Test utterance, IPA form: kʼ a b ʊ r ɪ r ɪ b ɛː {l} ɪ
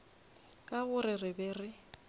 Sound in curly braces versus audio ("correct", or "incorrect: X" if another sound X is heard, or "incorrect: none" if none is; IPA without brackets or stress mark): incorrect: r